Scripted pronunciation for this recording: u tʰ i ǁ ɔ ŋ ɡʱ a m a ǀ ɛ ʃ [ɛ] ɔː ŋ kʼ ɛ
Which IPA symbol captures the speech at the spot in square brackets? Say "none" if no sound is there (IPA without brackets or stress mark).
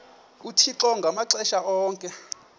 a